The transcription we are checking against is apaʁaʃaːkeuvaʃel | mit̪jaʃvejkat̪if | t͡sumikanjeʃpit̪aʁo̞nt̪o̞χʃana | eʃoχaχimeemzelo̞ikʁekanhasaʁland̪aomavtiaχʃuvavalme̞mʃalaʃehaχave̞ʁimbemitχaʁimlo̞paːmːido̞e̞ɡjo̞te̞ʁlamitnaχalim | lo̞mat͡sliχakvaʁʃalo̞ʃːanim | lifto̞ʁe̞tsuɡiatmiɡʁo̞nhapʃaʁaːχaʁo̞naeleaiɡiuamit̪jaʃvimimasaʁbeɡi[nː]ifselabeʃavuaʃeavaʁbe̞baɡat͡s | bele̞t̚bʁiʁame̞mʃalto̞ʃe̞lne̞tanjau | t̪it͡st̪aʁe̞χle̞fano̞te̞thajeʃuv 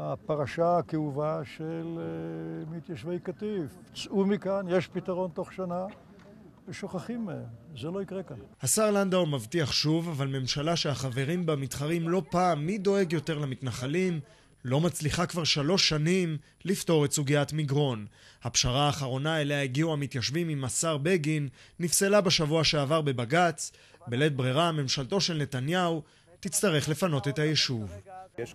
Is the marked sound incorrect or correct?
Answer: correct